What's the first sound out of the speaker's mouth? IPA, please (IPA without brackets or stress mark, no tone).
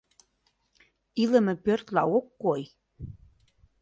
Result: i